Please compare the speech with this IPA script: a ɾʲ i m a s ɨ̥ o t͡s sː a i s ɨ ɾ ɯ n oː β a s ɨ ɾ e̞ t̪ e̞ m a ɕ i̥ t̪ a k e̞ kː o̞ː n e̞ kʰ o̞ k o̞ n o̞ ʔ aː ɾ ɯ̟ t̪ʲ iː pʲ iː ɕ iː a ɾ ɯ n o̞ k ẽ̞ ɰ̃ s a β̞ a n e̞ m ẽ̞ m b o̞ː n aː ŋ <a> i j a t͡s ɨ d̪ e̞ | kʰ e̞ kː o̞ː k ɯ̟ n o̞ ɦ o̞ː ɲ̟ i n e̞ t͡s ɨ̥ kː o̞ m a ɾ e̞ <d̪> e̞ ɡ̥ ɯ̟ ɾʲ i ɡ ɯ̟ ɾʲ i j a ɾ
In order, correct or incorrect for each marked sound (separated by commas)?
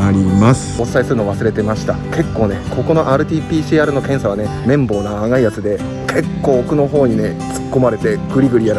correct, incorrect